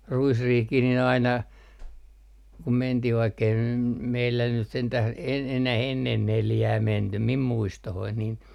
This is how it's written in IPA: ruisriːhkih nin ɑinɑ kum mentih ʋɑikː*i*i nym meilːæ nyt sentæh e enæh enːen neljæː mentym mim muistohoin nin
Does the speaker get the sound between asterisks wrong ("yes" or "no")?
yes